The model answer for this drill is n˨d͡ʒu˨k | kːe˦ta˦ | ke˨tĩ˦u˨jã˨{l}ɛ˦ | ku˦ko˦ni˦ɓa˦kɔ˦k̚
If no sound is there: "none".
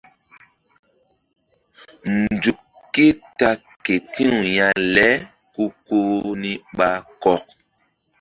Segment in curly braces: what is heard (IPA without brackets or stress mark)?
l